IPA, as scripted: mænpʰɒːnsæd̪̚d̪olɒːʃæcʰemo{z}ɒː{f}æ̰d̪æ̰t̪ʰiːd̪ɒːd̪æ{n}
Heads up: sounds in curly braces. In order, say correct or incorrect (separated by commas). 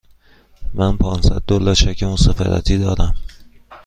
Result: incorrect, correct, incorrect